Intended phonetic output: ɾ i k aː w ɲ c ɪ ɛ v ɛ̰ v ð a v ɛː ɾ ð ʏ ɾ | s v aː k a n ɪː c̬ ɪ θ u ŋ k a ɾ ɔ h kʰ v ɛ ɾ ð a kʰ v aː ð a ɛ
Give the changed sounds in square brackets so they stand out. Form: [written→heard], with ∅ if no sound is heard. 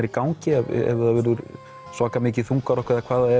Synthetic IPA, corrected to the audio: ɾ i k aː w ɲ c ɪ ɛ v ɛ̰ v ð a v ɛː ɾ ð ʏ ɾ | s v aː k a [n→m] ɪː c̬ ɪ θ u ŋ k a ɾ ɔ h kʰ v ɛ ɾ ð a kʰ v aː ð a ɛ